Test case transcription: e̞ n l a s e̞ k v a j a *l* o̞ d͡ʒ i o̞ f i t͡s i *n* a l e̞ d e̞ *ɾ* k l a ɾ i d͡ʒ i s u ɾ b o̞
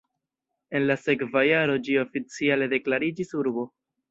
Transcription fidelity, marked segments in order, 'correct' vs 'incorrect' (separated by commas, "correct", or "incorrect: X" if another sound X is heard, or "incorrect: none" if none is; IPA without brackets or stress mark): incorrect: ɾ, incorrect: none, incorrect: none